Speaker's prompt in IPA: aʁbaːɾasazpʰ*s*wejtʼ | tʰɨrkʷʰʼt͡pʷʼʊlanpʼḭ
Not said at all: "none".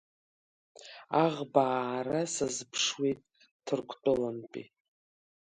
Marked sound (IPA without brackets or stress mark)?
ʂ